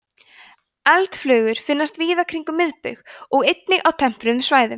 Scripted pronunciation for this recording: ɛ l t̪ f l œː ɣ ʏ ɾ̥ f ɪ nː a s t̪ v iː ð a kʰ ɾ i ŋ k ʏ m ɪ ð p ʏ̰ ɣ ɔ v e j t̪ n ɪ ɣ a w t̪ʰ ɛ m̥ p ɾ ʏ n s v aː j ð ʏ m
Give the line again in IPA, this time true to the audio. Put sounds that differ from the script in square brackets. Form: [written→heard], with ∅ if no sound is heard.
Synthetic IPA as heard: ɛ l t̪ f l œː ɣ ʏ ɾ̥ f ɪ nː a s t̪ v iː ð a kʰ ɾ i ŋ k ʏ m ɪ ð p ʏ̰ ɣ ɔ [v→ɣ] e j t̪ n ɪ ɣ a w t̪ʰ ɛ m̥ p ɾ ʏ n s v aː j ð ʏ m

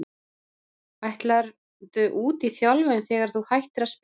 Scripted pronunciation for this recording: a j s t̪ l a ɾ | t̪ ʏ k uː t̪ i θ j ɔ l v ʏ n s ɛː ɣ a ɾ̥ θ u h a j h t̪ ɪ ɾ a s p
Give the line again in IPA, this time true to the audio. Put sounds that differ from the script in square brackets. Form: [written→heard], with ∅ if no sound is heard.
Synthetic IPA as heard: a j [s→h] t̪ l a ɾ | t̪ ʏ [k→ʔ] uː t̪ i θ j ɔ l v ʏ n [s→θ] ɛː ɣ a ɾ̥ θ u h a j h t̪ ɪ ɾ a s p

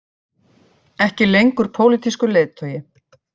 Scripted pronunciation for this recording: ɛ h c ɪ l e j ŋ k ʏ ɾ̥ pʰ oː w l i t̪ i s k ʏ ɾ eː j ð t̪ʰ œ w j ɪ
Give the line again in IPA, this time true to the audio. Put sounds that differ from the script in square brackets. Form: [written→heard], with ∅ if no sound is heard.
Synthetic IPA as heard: ɛ h c ɪ l e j ŋ k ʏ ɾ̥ pʰ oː w l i t̪ i s k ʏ [ɾ→l] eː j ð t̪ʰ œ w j ɪ

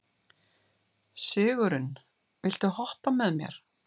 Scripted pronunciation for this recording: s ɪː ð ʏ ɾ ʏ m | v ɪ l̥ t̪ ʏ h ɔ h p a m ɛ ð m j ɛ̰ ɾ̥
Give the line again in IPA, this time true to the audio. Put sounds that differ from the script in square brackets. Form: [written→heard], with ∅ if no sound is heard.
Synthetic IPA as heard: s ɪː [ð→ɣ] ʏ ɾ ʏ [m→n] | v ɪ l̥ t̪ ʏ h ɔ h p a m ɛ ð m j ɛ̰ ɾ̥

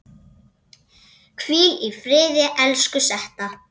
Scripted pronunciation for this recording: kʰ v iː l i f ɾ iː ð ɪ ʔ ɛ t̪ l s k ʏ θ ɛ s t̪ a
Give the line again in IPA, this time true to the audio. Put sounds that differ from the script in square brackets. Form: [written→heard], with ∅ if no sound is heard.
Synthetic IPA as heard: kʰ v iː l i f ɾ [iː→ɪː] ð ɪ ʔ ɛ [t̪→∅] l s k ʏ [θ→s] ɛ [s→h] t̪ a

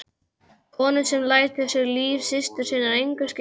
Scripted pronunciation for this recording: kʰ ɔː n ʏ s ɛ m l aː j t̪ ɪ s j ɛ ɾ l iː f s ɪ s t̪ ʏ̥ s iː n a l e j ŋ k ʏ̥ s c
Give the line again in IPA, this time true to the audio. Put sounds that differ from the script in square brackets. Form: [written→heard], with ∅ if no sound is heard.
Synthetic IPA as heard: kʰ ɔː n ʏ s ɛ m l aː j t̪ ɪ s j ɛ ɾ l iː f s ɪ s t̪ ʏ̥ s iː n a [l→ɾ] e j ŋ k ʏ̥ s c

